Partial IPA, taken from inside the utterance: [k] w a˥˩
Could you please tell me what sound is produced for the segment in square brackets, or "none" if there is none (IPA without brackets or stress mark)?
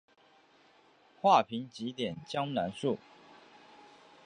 x